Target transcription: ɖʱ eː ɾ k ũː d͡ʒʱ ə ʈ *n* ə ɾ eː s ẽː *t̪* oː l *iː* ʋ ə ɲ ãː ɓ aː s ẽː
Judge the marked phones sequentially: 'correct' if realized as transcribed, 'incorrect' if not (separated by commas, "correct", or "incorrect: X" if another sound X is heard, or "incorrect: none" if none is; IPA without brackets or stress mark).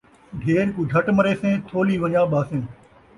incorrect: m, incorrect: t̪ʰ, correct